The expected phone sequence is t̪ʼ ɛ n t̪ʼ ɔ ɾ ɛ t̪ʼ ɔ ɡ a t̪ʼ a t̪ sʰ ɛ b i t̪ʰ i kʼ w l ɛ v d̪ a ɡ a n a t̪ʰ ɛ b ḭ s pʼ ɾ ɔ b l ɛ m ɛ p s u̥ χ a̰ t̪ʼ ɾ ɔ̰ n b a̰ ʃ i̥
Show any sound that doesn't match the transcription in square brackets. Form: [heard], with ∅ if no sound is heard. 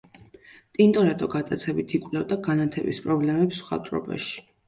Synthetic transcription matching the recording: t̪ʼ [i] n t̪ʼ ɔ ɾ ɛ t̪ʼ ɔ ɡ a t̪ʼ a t̪ sʰ ɛ b i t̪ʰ i kʼ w l ɛ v d̪ a ɡ a n a t̪ʰ ɛ b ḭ s pʼ ɾ ɔ b l ɛ m ɛ p s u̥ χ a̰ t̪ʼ ɾ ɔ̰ [∅] b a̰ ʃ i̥